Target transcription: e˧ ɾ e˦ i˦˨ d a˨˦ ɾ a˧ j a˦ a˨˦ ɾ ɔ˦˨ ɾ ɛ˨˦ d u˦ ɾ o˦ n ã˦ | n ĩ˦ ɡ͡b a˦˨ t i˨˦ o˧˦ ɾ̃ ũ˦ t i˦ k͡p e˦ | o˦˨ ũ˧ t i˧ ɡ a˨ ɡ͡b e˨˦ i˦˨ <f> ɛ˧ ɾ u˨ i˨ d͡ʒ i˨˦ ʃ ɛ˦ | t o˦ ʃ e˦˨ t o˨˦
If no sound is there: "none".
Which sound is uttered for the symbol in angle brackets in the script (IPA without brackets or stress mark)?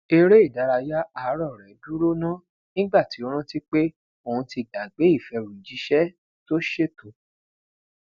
f